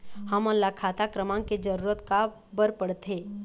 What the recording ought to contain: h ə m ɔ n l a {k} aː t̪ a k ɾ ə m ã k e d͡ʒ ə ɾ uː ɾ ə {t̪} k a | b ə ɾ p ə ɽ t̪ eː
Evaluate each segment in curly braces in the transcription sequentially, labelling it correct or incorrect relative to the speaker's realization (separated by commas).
incorrect, correct